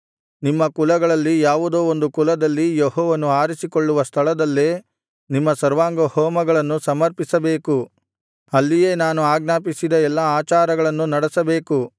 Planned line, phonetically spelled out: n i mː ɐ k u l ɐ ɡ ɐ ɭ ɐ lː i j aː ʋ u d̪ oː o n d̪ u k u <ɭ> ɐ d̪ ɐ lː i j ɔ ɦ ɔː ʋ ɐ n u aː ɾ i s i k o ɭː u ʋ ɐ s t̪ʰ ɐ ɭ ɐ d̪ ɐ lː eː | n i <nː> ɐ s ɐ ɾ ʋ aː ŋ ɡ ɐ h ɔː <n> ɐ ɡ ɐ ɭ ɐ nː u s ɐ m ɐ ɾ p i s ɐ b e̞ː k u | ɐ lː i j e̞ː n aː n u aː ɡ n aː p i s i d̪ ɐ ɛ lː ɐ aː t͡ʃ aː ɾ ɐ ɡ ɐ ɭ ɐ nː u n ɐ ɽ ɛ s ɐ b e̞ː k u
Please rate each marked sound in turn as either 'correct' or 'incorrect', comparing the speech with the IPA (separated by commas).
incorrect, incorrect, incorrect